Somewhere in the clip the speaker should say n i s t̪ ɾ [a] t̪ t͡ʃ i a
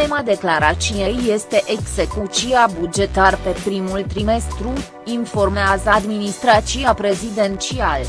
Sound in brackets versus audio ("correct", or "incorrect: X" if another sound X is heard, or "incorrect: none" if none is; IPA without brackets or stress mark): correct